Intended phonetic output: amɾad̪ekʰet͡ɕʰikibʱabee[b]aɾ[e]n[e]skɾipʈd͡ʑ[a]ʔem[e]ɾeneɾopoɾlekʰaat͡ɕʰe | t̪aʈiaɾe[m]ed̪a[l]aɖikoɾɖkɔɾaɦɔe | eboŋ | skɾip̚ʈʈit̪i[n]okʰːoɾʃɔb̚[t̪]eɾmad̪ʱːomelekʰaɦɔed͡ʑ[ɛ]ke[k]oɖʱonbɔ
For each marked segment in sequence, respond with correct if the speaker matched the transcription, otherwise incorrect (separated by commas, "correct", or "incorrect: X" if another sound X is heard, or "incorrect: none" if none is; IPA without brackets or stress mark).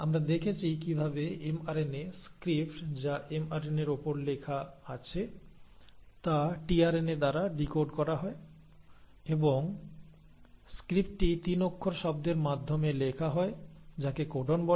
incorrect: m, correct, correct, correct, incorrect: a, incorrect: n, incorrect: ɾ, correct, incorrect: d̪, incorrect: a, correct